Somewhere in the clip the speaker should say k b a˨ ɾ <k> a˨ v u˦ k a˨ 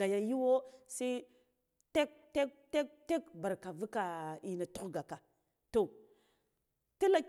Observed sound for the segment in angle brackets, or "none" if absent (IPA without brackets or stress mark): k